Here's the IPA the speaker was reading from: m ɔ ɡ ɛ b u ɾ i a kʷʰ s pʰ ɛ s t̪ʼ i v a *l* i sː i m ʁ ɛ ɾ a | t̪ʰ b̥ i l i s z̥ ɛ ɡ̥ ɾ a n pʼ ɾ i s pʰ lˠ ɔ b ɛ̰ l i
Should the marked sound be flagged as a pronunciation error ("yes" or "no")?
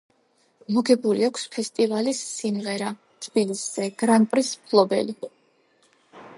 no